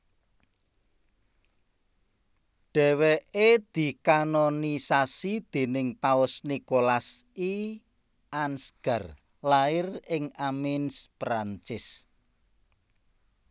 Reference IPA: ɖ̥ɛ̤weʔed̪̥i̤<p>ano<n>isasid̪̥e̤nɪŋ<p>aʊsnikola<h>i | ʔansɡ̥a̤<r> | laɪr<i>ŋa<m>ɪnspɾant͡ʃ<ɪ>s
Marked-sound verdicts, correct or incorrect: incorrect, correct, correct, incorrect, correct, incorrect, correct, correct

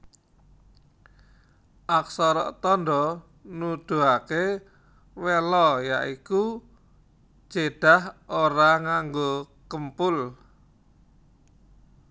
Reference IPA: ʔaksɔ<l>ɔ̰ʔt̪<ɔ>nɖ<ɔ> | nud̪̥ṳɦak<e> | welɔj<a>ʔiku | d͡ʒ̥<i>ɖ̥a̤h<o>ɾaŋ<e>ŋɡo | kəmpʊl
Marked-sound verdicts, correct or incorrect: incorrect, correct, correct, correct, correct, incorrect, correct, incorrect

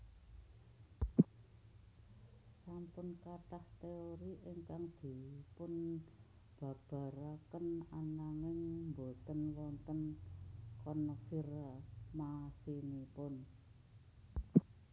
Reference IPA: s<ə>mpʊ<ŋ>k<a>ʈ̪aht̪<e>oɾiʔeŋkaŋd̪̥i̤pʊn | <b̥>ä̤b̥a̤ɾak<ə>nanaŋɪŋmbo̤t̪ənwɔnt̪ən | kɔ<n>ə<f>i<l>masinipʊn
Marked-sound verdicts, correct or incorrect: incorrect, incorrect, correct, correct, correct, correct, correct, correct, incorrect

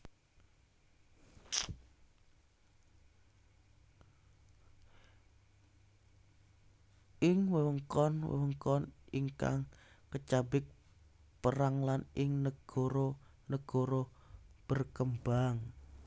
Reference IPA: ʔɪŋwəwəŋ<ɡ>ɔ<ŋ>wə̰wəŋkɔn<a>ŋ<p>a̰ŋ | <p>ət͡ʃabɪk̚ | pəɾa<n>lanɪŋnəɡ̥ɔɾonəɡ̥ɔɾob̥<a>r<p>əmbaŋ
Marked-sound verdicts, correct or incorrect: incorrect, incorrect, incorrect, incorrect, incorrect, incorrect, incorrect, incorrect

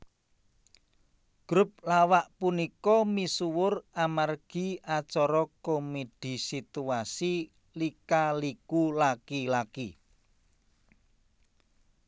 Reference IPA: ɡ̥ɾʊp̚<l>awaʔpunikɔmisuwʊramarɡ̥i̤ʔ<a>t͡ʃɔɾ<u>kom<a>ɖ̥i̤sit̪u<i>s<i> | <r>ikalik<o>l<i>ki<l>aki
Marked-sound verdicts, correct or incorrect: correct, correct, incorrect, incorrect, incorrect, correct, incorrect, incorrect, incorrect, correct

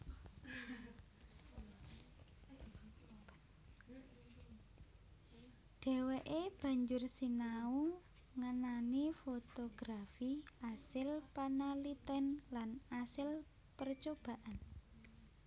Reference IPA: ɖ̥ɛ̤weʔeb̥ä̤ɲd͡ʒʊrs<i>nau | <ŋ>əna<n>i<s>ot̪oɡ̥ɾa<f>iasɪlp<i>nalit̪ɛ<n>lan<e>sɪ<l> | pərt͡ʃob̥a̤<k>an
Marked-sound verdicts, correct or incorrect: correct, correct, correct, incorrect, correct, incorrect, correct, incorrect, correct, incorrect

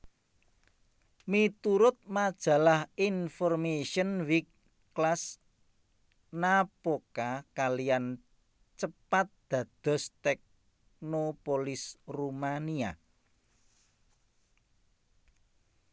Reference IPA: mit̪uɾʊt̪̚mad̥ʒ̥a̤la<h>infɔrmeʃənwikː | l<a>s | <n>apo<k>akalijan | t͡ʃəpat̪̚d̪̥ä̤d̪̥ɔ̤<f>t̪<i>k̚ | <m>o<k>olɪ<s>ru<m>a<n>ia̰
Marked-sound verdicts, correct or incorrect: correct, correct, correct, correct, incorrect, incorrect, incorrect, incorrect, correct, correct, correct

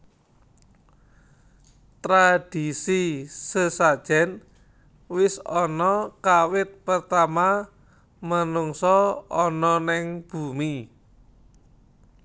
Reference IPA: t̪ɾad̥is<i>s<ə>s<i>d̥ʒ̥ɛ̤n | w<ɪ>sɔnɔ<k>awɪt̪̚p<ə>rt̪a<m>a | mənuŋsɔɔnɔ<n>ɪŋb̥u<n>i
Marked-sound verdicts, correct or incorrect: correct, correct, incorrect, correct, correct, correct, correct, correct, incorrect

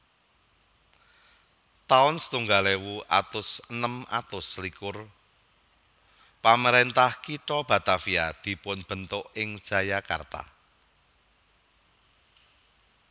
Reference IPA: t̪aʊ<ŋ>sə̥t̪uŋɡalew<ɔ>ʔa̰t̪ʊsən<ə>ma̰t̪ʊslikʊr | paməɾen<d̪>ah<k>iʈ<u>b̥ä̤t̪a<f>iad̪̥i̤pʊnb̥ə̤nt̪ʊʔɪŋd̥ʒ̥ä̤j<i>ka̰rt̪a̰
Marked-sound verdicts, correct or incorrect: incorrect, incorrect, correct, incorrect, correct, incorrect, correct, incorrect

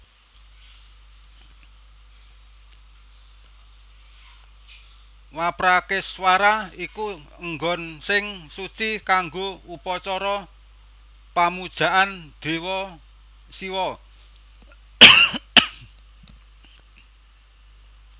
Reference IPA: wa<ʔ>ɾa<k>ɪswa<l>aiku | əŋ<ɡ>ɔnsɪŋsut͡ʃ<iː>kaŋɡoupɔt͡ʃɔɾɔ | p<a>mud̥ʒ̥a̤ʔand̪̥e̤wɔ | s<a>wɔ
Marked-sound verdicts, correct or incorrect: incorrect, correct, incorrect, correct, incorrect, correct, incorrect

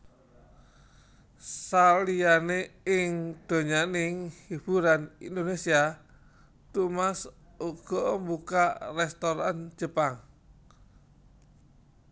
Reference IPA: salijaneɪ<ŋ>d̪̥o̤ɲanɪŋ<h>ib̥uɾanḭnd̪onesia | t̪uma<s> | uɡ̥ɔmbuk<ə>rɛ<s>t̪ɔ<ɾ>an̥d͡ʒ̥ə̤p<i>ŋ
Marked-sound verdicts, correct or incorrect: correct, correct, correct, incorrect, correct, correct, incorrect

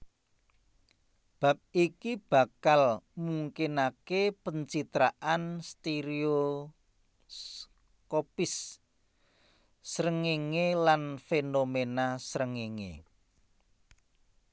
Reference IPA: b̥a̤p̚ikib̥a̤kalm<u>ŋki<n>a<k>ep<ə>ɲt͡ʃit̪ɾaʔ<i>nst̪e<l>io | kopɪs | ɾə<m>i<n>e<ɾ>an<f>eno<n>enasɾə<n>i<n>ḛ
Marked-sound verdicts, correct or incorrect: correct, correct, correct, correct, incorrect, incorrect, incorrect, incorrect, incorrect, correct, incorrect, incorrect, incorrect

